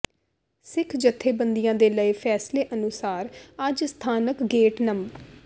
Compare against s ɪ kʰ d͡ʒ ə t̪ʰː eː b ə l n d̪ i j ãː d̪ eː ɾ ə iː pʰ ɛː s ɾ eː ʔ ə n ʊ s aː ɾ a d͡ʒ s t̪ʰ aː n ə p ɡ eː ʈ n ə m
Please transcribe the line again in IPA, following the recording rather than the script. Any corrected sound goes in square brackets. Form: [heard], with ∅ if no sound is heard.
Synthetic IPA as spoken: s ɪ kʰ d͡ʒ ə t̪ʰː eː b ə [∅] n d̪ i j ãː d̪ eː [l] ə iː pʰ ɛː s [l] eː ʔ ə n ʊ s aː ɾ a d͡ʒ s t̪ʰ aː n ə [k] ɡ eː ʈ n ə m